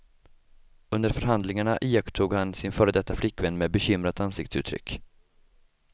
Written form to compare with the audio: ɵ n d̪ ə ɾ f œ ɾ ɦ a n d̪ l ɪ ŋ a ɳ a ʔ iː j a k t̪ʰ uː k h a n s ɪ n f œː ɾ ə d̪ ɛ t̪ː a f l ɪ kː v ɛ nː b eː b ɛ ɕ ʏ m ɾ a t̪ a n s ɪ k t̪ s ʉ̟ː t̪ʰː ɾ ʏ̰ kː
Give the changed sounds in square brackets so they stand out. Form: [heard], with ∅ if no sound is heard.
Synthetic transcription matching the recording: ɵ n d̪ ə ɾ f œ ɾ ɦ a n d̪ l ɪ ŋ a ɳ a ʔ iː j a k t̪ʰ uː [ɡ] h a n s ɪ n f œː ɾ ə d̪ ɛ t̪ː a f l ɪ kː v ɛ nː [m] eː b ɛ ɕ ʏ m ɾ a t̪ a n s ɪ k t̪ s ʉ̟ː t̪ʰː ɾ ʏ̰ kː